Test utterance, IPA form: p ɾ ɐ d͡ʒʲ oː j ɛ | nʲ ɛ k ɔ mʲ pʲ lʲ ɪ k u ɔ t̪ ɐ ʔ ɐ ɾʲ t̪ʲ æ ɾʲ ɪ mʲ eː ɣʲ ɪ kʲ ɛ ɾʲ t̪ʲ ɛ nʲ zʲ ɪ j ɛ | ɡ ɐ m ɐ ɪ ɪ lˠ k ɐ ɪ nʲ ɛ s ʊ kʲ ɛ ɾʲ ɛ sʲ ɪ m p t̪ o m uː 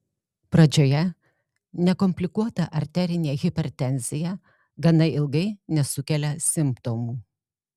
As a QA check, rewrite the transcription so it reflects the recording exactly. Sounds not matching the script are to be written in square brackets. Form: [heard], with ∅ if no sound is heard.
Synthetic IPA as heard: p ɾ ɐ d͡ʒʲ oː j ɛ | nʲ ɛ k ɔ mʲ pʲ lʲ ɪ k u ɔ t̪ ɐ ʔ ɐ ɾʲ t̪ʲ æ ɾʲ ɪ [nʲ] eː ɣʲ ɪ [pʲ] ɛ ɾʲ t̪ʲ ɛ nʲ zʲ ɪ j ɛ | ɡ ɐ [n] ɐ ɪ ɪ lˠ [ɡ] ɐ ɪ nʲ ɛ s ʊ kʲ ɛ [lʲ] ɛ sʲ ɪ m p t̪ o m uː